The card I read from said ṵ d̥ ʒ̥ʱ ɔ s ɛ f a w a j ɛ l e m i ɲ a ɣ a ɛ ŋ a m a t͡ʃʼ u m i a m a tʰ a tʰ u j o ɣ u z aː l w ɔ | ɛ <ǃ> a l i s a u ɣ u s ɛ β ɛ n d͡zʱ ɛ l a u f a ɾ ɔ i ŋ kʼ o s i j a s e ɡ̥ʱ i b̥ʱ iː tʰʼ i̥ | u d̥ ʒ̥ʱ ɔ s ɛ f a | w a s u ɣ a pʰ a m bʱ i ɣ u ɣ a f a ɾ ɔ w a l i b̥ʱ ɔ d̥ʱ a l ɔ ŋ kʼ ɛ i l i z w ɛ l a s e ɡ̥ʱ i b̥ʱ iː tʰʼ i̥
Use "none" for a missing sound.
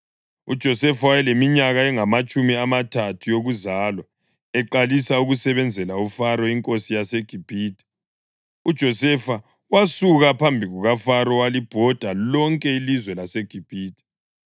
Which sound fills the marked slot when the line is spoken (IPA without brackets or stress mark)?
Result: ǃ